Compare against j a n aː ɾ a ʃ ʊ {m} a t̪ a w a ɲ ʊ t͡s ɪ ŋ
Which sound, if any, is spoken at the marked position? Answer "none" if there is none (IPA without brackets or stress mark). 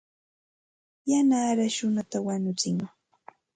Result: n